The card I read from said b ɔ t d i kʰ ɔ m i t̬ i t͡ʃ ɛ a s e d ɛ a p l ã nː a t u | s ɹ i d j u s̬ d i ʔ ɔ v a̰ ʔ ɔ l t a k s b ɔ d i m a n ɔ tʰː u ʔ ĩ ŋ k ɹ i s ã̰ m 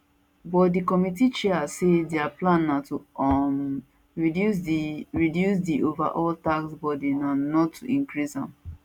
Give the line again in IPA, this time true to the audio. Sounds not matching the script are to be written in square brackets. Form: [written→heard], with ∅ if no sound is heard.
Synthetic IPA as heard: b ɔ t d i [kʰ→k] ɔ m i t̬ i t͡ʃ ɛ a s e d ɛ a p l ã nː a t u | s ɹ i d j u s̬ d i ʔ [ɔ→o] v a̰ ʔ ɔ l t a k s b ɔ d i [m→n] a n ɔ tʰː u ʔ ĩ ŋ k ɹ i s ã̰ m